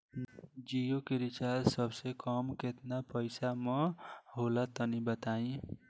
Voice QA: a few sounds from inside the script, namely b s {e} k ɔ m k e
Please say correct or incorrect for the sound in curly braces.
correct